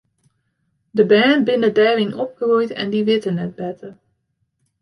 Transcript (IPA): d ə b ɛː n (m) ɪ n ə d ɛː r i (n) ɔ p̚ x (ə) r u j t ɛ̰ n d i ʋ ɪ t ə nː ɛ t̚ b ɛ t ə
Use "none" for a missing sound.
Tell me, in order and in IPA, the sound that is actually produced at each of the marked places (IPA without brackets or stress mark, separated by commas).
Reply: b, n, ə